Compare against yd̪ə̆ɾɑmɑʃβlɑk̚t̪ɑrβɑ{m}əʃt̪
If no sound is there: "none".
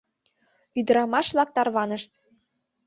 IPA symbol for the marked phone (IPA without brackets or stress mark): n